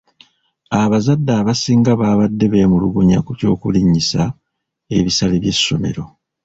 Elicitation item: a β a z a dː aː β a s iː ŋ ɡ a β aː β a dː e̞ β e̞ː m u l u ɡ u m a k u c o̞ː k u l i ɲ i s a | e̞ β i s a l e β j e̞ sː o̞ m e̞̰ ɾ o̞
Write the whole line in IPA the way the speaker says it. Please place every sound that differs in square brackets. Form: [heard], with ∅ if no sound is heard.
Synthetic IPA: a β a z a dː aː β a s iː ŋ ɡ a β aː β a dː e̞ β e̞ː m u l u ɡ u [ɲ] a k u c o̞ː k u l i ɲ i s a | e̞ β i s a l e β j e̞ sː o̞ m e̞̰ ɾ o̞